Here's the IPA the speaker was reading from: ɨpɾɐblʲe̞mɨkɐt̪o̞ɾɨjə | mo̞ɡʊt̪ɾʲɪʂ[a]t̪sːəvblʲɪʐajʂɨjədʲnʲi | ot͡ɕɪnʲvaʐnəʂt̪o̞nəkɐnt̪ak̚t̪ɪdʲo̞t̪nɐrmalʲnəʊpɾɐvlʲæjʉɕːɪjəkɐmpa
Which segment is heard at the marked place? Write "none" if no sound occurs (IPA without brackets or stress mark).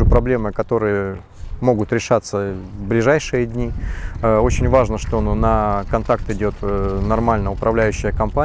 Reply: a